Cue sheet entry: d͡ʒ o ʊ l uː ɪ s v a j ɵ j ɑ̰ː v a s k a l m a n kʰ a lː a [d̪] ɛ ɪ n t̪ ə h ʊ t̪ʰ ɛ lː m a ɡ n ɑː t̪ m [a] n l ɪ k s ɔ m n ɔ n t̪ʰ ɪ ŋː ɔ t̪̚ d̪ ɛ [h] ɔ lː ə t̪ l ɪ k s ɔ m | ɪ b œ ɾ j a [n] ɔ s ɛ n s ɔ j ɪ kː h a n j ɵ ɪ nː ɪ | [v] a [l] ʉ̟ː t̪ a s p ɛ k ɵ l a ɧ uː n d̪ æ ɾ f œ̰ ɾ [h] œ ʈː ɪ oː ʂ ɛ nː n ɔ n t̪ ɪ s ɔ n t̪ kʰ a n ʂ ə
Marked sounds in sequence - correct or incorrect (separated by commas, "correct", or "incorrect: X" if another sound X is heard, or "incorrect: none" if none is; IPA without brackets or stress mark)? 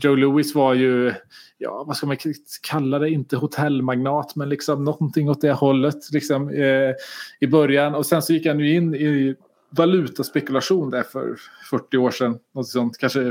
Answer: correct, incorrect: ɛ, correct, correct, correct, correct, incorrect: f